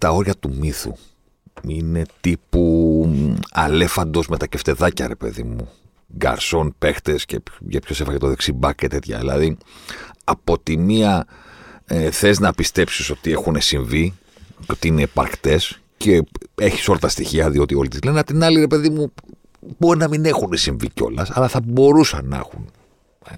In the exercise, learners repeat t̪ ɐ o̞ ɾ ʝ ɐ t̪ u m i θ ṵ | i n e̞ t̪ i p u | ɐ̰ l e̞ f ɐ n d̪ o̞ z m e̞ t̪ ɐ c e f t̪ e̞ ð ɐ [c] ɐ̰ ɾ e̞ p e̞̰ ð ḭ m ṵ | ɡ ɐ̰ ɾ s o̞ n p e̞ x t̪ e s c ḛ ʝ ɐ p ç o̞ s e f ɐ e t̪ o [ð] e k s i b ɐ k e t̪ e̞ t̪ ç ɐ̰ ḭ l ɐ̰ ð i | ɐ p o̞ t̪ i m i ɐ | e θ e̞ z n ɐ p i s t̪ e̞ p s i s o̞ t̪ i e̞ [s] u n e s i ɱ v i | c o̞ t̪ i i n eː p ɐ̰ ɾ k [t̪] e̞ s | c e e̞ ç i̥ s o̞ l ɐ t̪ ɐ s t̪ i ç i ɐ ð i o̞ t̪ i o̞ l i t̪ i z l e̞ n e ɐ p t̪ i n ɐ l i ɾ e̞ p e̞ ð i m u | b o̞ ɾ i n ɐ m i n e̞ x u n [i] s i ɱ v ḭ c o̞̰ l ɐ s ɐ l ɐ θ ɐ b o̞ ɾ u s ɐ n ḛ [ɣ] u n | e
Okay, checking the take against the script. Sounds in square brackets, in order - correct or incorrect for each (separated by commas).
correct, correct, incorrect, correct, incorrect, incorrect